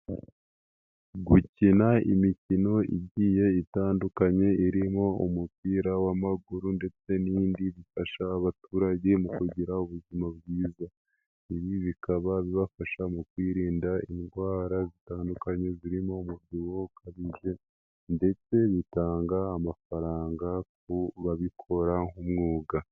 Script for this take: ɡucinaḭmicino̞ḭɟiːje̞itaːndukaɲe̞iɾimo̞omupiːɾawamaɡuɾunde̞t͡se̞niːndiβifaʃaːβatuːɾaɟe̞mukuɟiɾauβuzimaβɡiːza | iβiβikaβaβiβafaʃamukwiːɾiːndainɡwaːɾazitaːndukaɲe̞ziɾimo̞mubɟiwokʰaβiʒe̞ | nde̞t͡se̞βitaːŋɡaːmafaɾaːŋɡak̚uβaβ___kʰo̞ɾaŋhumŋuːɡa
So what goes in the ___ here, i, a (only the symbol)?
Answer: i